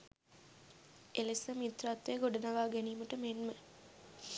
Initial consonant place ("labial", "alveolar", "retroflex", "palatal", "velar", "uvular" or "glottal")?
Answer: alveolar